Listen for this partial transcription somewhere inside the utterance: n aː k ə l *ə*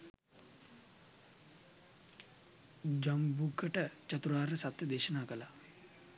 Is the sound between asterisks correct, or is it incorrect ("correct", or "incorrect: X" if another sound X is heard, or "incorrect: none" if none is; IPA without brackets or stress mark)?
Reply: incorrect: a